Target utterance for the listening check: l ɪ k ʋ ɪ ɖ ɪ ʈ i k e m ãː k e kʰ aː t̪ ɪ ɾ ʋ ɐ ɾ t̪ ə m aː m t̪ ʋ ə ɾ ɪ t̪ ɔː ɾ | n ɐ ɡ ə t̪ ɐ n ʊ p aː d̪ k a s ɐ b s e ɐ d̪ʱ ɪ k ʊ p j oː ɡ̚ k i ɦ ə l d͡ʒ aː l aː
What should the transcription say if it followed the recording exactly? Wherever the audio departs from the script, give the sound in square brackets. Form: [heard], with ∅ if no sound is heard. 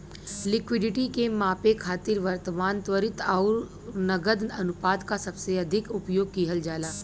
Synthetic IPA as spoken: l ɪ k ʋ ɪ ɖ ɪ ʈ i k e m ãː [p] e kʰ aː t̪ ɪ ɾ ʋ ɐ ɾ t̪ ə m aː [n] t̪ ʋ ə ɾ ɪ t̪ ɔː ɾ | n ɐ ɡ ə [d̪] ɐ n ʊ p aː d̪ k a s ɐ b s e ɐ d̪ʱ ɪ k ʊ p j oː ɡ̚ k i ɦ ə l d͡ʒ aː l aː